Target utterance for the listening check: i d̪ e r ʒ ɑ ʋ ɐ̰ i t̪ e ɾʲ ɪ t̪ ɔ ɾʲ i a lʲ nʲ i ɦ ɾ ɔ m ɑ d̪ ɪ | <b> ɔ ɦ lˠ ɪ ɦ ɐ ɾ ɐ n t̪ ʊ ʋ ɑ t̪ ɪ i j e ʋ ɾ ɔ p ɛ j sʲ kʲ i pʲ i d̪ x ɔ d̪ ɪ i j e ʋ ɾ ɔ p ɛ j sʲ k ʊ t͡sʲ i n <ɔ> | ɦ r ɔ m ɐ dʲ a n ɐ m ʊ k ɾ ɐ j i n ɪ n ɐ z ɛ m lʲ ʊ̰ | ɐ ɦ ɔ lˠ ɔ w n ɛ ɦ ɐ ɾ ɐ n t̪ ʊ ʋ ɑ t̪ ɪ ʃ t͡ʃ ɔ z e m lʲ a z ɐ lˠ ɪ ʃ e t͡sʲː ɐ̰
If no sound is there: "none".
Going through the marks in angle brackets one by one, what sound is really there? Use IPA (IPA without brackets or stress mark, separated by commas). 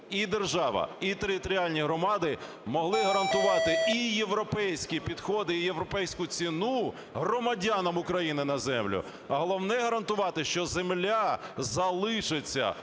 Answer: m, u